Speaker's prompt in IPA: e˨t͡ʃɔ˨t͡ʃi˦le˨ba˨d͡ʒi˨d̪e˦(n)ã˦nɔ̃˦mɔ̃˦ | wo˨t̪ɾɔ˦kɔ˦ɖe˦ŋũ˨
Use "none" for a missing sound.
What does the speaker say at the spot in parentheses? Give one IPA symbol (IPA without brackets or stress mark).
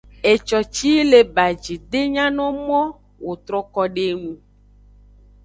ɲ